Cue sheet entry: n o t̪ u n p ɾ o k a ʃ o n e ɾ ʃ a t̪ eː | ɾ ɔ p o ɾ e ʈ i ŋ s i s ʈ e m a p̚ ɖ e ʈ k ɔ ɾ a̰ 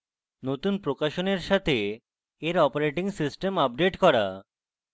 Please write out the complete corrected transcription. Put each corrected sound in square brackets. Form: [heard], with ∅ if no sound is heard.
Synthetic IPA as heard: n o t̪ u n p ɾ o k a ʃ o n e ɾ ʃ a [t̪ʰ] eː | ɾ ɔ p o ɾ e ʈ i ŋ s i s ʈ e m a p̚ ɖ e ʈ k ɔ ɾ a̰